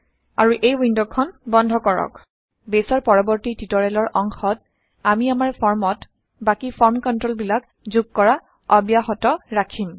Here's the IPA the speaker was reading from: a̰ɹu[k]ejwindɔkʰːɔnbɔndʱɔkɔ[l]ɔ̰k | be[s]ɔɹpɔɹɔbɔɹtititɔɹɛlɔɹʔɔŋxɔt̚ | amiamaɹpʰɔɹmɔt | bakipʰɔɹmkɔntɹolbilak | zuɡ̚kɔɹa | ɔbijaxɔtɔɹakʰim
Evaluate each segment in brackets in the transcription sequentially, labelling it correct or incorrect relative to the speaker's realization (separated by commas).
incorrect, incorrect, correct